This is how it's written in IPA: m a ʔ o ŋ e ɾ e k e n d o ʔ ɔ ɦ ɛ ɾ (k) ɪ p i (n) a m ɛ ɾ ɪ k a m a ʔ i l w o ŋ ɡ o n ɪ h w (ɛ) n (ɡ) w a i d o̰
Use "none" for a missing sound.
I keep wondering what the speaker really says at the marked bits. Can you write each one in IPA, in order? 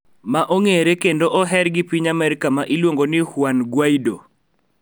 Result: ɡ, ɲ, a, ɡ

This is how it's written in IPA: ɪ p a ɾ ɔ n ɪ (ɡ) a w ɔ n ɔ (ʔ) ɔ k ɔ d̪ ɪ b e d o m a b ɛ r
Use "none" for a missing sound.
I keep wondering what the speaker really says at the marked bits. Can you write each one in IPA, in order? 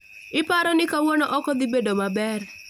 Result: k, ʔ

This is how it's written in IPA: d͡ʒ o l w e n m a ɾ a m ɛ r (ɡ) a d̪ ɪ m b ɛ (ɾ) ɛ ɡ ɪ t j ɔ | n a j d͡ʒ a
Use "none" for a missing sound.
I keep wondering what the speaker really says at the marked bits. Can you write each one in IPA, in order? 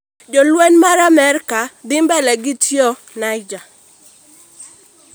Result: k, l

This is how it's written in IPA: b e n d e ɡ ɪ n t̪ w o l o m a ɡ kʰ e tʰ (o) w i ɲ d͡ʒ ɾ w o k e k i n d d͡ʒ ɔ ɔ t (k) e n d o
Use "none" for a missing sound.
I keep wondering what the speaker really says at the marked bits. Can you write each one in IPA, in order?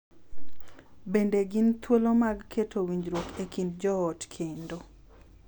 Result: o, kʰ

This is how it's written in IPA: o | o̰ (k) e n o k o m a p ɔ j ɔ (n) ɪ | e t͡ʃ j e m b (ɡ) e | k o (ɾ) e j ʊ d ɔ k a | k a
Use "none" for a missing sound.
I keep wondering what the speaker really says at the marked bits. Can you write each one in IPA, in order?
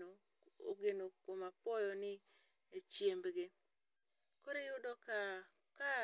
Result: ɡ, n, ɡ, ɾ

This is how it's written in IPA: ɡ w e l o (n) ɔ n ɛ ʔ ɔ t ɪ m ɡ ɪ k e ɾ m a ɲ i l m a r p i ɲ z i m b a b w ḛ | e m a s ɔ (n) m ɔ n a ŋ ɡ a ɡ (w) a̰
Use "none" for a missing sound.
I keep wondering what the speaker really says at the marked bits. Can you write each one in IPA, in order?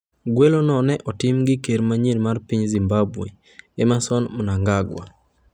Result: n, n, w

